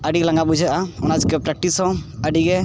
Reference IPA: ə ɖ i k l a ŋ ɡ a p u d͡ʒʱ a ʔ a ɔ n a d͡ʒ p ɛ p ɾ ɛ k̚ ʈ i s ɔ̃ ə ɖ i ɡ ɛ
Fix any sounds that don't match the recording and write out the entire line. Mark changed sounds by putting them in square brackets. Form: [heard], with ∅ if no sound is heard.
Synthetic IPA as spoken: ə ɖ i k l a ŋ ɡ a [b] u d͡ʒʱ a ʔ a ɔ n a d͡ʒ [k] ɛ p ɾ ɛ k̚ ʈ i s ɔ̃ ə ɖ i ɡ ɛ